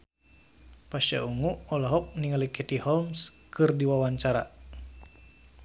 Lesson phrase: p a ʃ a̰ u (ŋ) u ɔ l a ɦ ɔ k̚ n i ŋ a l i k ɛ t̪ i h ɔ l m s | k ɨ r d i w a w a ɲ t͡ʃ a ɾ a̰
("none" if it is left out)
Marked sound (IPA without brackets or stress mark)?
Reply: ŋ